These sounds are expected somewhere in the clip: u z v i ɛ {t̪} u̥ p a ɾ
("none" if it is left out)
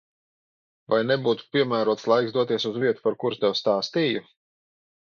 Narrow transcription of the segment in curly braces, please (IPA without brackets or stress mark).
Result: t̪